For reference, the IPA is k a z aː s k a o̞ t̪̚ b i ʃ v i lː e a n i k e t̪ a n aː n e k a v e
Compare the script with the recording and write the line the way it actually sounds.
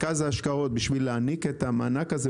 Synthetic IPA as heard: k a z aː ʃ k a o̞ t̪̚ b i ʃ v i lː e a n i k e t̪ a m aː n a k a z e